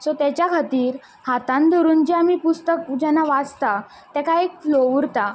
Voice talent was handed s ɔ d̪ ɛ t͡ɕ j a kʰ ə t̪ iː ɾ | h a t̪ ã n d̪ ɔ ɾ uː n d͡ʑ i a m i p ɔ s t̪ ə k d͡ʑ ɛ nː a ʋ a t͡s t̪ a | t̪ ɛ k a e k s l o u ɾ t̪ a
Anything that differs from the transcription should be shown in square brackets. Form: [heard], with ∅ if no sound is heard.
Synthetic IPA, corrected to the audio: s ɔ [t̪] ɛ t͡ɕ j a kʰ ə t̪ iː ɾ | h a t̪ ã n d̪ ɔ ɾ uː n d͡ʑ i a m i p [u] s t̪ ə k d͡ʑ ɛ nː a ʋ a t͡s t̪ a | t̪ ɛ k a e k [f] l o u ɾ t̪ a